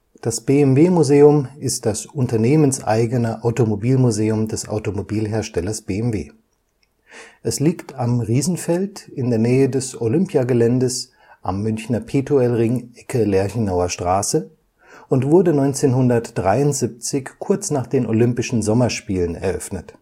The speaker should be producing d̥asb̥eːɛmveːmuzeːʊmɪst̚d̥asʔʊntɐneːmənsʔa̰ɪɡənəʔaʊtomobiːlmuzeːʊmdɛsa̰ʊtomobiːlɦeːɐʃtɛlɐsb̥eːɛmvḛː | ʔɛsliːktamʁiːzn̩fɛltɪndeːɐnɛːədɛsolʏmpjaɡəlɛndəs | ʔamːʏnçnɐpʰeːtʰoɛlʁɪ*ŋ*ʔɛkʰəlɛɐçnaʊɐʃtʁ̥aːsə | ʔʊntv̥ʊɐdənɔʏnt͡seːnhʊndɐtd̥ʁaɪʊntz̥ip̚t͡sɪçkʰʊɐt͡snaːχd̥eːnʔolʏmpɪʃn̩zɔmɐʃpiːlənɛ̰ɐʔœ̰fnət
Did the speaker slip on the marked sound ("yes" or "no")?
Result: no